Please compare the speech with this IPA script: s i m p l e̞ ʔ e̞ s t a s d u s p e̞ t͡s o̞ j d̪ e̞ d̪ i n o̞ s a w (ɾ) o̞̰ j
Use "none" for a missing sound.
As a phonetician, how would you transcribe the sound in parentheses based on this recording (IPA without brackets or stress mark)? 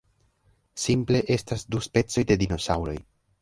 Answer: ɾ